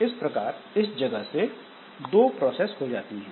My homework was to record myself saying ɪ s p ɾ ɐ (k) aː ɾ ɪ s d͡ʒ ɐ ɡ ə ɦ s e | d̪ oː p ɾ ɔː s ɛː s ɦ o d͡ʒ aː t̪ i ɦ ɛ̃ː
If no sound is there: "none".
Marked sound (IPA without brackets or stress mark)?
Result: k